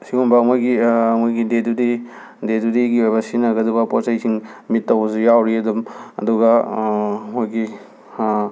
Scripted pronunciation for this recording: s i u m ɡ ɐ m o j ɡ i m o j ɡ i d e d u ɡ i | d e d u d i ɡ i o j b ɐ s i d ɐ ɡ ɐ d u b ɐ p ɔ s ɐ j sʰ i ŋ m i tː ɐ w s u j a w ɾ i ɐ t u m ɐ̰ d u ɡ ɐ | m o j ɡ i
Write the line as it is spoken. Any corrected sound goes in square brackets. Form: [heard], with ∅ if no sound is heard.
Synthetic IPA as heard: s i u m [b] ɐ m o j ɡ i m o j ɡ i d e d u [d] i | d e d u d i ɡ i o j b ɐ s i [n] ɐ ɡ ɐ d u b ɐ p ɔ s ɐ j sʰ i ŋ m i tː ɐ w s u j a w ɾ i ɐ [d] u m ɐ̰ d u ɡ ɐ | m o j ɡ i